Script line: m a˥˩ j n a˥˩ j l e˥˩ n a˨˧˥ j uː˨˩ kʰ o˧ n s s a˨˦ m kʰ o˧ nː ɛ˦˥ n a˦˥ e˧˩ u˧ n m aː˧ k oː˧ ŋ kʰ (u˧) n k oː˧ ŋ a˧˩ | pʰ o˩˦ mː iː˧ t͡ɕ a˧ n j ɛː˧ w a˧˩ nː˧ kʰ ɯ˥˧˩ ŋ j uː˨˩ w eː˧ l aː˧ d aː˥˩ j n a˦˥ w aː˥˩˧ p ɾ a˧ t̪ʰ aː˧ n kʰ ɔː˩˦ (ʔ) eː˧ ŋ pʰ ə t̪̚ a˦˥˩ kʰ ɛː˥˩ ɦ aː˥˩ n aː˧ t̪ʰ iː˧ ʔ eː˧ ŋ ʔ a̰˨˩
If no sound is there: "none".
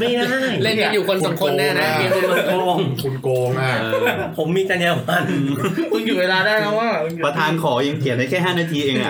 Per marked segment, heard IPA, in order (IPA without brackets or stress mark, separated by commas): u˧, ʔ